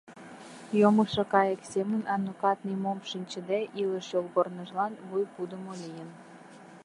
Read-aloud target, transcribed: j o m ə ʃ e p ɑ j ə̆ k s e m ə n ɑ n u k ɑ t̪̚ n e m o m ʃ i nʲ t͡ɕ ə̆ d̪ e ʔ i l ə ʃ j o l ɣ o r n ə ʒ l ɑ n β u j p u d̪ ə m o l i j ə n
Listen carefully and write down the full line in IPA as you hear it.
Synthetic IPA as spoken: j o m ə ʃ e k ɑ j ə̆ k s e m ə n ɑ n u k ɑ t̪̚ n i m o m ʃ i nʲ t͡ɕ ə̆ d̪ e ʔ i l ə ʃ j o l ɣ o r n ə ʒ l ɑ n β u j p u d̪ ə m o l i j ə n